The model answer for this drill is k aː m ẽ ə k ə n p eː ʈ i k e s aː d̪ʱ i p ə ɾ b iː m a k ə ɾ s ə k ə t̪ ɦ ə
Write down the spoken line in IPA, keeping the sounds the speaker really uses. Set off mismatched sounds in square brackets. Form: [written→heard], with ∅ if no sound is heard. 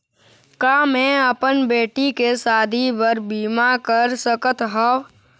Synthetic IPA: k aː m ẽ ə [k→p] ə n [p→b] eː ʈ i k e s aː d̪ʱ i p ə ɾ b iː m a k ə ɾ s ə k ə t̪ ɦ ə